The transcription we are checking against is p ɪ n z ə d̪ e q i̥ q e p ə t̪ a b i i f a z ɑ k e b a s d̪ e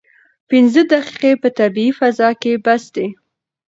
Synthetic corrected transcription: p ɪ n z ə d̪ a q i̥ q e p ə t̪ a b i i f a z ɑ k e b a s d̪ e